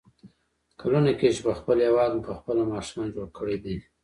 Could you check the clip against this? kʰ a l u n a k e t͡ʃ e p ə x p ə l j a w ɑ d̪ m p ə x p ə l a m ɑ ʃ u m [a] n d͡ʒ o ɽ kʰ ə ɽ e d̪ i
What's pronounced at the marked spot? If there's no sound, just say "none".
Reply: ɑ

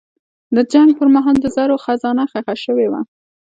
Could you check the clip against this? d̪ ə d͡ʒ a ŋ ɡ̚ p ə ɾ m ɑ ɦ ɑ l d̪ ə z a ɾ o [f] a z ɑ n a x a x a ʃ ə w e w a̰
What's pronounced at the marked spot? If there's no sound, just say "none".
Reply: x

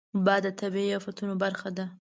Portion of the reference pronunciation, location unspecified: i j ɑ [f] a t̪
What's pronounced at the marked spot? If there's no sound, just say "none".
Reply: f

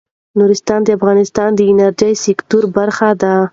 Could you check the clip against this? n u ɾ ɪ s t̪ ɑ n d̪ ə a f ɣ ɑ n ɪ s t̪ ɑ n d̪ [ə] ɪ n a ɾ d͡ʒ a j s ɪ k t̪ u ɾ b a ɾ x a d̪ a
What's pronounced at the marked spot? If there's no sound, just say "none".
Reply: ə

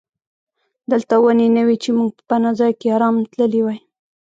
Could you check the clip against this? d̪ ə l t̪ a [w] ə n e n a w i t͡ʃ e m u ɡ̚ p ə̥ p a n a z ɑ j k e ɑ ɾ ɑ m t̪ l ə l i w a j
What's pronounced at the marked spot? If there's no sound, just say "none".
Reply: w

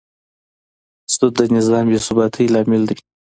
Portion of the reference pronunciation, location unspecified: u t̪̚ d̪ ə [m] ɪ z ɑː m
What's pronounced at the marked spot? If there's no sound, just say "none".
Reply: n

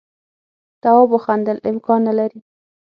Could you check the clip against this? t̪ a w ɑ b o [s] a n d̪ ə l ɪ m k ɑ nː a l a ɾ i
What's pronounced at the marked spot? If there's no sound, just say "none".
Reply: x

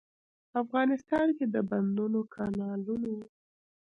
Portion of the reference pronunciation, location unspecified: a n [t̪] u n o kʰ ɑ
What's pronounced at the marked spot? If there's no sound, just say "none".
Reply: d̪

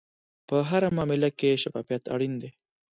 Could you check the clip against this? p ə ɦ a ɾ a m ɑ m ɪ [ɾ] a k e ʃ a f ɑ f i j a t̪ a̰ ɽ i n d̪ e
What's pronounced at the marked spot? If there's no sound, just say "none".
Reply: l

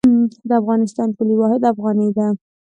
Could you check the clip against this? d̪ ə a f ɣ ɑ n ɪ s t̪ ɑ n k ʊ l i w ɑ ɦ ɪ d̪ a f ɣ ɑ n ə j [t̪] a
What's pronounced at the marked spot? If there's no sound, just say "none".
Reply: d̪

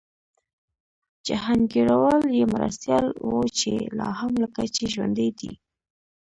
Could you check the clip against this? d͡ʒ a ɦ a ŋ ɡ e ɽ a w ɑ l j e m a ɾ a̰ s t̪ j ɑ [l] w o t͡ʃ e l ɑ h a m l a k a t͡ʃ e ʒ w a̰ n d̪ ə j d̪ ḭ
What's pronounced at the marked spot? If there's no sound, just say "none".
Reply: l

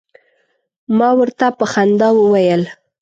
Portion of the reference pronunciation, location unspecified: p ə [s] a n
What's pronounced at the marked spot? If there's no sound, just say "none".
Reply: x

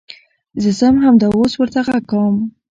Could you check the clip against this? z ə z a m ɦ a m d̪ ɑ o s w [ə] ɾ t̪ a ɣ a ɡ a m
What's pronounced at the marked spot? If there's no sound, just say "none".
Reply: ə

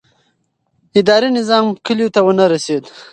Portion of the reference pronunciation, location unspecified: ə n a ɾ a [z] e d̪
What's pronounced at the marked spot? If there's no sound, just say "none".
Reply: s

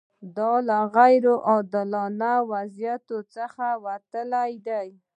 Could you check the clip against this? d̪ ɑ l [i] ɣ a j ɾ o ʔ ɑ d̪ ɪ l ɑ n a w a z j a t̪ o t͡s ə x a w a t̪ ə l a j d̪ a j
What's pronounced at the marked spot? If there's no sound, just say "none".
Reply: a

